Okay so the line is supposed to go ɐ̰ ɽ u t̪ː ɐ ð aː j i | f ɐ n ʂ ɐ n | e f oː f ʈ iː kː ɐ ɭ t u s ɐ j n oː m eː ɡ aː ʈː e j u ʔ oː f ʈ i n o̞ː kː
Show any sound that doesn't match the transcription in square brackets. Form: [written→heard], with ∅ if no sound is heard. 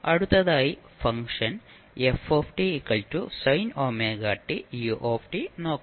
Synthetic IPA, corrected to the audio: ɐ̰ ɽ u t̪ː ɐ ð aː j i | f ɐ [n→ŋ] ʂ ɐ n | e f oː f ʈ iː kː ɐ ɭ t u s ɐ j n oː m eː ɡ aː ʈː [e→i] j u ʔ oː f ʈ i n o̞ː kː

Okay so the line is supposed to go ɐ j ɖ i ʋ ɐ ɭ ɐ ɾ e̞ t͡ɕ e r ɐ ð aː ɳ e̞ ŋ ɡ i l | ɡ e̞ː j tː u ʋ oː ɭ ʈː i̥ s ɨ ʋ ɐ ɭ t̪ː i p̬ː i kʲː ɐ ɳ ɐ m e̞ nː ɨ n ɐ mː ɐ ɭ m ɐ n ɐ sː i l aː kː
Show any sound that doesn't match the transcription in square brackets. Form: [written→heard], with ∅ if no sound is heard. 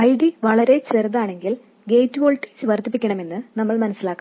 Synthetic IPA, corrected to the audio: ɐ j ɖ i ʋ ɐ ɭ ɐ ɾ e̞ t͡ɕ e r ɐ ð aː ɳ e̞ ŋ ɡ i l | ɡ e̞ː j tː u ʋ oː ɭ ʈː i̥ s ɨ ʋ ɐ [ɭ→r] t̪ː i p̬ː i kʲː ɐ ɳ ɐ m e̞ nː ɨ n ɐ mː ɐ ɭ m ɐ n ɐ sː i l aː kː

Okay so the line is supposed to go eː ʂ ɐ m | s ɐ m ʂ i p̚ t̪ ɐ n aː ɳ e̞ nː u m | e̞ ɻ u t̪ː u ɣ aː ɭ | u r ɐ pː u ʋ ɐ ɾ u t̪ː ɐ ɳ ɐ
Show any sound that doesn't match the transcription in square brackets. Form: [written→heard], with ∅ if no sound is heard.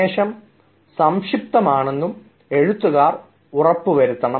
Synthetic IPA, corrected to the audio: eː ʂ ɐ m | s ɐ m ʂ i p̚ t̪ ɐ [n→m] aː ɳ e̞ nː u m | e̞ ɻ u t̪ː u ɣ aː [ɭ→r] | u r ɐ pː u ʋ ɐ ɾ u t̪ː ɐ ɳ ɐ

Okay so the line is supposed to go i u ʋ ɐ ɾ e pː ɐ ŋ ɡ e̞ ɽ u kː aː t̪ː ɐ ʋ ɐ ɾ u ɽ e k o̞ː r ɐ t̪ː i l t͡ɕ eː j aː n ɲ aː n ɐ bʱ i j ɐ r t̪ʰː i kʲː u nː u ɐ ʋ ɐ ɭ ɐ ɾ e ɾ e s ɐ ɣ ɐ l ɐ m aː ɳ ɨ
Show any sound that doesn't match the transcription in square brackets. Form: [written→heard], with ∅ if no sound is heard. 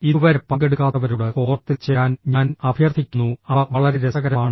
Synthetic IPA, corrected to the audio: i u ʋ ɐ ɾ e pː ɐ ŋ ɡ e̞ ɽ u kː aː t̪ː ɐ ʋ ɐ ɾ u ɽ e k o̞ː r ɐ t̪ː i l t͡ɕ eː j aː n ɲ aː n ɐ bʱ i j ɐ r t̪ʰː i kʲː u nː u ɐ ʋ ɐ ɭ ɐ ɾ e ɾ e s ɐ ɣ ɐ [l→ɾ] ɐ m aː ɳ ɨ

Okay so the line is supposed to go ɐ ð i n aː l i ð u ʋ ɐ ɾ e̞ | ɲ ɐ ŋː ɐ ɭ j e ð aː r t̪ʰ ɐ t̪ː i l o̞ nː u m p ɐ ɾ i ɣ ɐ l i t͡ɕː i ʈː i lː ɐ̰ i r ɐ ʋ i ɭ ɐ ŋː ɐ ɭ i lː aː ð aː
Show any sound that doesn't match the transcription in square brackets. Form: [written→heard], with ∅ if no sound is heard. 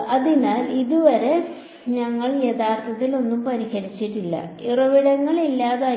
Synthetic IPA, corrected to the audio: ɐ ð i n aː l i ð u ʋ ɐ ɾ e̞ | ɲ ɐ ŋː ɐ ɭ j e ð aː r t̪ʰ ɐ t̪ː i l o̞ nː u m p ɐ ɾ i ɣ ɐ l i t͡ɕː i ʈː i lː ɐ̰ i r ɐ ʋ i [ɭ→ɽ] ɐ ŋː ɐ ɭ i lː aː ð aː

